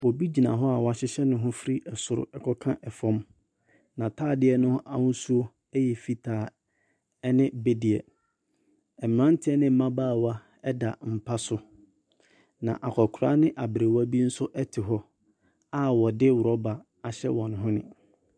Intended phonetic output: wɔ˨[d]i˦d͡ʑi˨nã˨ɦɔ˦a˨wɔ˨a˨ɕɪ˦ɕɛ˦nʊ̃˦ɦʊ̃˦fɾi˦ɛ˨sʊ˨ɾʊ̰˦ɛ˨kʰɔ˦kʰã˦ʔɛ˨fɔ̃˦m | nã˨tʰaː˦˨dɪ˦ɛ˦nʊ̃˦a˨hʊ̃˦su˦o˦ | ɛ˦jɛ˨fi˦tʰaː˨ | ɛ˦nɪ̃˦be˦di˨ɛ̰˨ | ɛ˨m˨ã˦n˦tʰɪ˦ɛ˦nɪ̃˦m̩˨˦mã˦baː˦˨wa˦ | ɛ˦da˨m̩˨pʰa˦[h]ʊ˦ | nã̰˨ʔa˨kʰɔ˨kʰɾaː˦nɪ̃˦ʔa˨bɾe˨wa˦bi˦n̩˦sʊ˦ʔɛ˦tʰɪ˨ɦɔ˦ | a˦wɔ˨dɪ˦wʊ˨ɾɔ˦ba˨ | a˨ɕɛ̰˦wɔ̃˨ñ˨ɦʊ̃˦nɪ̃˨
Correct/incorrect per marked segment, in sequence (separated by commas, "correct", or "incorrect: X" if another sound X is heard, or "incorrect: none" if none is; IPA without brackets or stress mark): incorrect: b, incorrect: s